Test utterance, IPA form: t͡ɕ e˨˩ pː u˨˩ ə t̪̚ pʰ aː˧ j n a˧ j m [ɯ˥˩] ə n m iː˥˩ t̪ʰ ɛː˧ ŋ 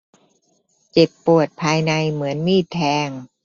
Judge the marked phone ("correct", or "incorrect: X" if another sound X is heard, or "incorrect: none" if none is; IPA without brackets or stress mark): incorrect: ɯ˩˦